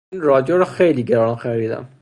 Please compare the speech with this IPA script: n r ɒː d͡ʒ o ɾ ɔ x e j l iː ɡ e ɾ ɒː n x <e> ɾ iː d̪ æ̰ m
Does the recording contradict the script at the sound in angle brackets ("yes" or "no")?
yes